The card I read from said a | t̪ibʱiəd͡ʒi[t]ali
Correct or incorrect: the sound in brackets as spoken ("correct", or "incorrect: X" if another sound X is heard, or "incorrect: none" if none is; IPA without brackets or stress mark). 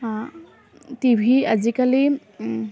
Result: incorrect: k